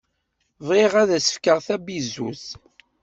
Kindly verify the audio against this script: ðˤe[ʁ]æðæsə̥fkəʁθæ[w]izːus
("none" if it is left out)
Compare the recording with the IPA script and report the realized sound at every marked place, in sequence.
ʁ, b

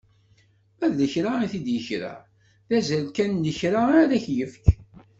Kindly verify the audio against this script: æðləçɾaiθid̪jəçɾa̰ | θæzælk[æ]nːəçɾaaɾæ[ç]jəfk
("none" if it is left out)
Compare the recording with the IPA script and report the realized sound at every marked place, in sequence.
æ, ç

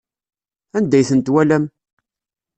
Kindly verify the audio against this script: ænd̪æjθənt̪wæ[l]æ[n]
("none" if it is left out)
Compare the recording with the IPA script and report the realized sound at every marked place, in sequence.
l, m

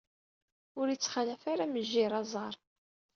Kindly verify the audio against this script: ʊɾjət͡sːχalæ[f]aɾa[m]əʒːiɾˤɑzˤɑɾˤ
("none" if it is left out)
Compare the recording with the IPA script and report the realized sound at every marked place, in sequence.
f, m

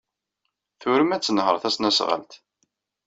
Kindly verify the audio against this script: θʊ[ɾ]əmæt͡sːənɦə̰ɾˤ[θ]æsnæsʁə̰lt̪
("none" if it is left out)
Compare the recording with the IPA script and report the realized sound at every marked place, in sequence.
ɾ, θ

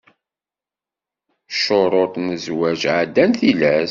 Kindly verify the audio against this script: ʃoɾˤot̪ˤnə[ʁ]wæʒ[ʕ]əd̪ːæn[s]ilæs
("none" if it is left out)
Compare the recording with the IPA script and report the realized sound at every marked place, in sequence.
z, ʕ, θ

